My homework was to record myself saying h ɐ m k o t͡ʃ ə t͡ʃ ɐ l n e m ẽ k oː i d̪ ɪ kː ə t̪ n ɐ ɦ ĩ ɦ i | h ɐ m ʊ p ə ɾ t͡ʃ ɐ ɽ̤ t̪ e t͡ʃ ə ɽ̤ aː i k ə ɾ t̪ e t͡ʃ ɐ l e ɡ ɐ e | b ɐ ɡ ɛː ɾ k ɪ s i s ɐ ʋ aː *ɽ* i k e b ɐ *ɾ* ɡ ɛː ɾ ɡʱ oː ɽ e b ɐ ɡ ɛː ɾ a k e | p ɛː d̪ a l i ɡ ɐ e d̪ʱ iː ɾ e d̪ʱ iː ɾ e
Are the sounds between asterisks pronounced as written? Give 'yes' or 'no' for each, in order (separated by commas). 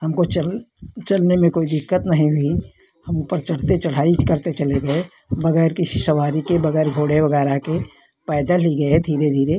no, no